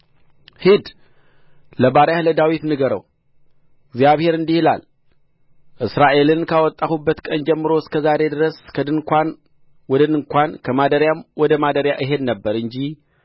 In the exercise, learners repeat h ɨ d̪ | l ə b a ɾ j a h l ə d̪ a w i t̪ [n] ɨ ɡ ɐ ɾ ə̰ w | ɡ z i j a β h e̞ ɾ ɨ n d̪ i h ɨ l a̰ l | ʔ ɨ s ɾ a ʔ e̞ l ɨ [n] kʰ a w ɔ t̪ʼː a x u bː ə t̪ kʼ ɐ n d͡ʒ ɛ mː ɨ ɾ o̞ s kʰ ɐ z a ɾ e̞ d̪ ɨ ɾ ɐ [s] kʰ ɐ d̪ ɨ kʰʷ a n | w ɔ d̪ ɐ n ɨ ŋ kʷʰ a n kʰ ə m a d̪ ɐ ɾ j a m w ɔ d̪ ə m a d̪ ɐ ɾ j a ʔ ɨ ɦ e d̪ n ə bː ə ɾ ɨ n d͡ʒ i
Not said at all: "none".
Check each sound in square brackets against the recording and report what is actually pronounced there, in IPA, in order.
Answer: n, n, s

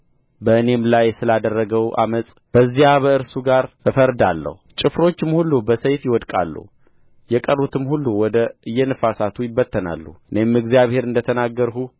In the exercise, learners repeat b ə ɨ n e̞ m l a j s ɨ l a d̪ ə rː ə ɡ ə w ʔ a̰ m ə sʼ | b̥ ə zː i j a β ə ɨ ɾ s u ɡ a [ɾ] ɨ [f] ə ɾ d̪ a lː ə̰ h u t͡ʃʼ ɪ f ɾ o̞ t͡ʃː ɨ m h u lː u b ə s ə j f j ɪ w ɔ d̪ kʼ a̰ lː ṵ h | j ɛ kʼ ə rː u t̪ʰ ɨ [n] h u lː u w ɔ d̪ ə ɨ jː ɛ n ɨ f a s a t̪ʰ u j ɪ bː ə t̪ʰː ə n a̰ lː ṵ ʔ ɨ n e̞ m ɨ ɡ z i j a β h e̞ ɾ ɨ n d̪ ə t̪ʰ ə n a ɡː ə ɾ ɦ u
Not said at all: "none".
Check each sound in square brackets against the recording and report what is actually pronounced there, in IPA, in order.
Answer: ɾ, f, m

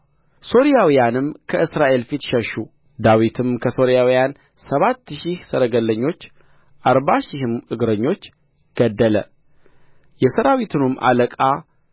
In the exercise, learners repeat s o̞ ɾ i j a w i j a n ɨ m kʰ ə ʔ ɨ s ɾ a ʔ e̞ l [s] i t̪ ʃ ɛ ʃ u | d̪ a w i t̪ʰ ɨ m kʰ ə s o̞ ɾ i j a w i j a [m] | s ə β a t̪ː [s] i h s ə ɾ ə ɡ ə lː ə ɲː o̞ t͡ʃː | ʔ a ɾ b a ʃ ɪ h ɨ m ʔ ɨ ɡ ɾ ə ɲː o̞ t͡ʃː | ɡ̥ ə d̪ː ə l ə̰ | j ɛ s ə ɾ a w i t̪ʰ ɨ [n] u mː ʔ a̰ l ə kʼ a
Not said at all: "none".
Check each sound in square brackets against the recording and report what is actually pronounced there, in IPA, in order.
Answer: f, n, ʃ, n

